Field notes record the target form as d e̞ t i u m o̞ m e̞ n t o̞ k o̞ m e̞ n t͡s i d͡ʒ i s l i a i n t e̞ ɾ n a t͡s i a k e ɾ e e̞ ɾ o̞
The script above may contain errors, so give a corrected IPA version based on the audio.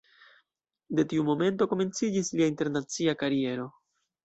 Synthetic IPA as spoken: d e̞ t i u m o̞ m e̞ n t o̞ k o̞ m e̞ n t͡s i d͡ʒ i s l i a i n t e̞ ɾ n a t͡s i a k a ɾ i e̞ ɾ o̞